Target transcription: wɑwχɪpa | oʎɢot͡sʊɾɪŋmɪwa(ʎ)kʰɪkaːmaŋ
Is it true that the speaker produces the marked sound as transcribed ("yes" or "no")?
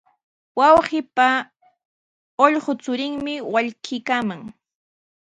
yes